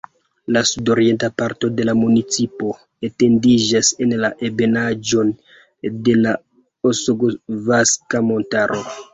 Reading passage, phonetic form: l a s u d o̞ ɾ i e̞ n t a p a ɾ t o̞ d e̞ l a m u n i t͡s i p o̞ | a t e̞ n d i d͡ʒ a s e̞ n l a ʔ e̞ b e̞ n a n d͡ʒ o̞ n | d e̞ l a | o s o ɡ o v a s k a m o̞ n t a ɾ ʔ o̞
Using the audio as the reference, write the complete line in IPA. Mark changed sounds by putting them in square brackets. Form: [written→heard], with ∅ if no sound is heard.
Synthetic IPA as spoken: l a s u d o̞ ɾ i e̞ n t a p a ɾ t o̞ d e̞ l a m u n i t͡s i p o̞ | [a→e] t e̞ n d i d͡ʒ a s e̞ n l a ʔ e̞ b e̞ n a [n→∅] d͡ʒ o̞ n | d e̞ l a | o s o ɡ o v a s k a m o̞ n t a ɾ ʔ o̞